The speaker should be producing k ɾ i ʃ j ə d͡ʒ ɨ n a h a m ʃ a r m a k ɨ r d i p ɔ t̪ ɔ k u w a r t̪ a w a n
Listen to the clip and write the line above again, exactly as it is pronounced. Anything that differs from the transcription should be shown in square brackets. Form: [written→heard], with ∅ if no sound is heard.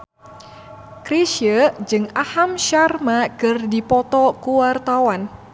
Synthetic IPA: k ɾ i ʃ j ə d͡ʒ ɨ [n→ŋ] a h a m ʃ a r m a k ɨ r d i p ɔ t̪ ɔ k u w a r t̪ a w a n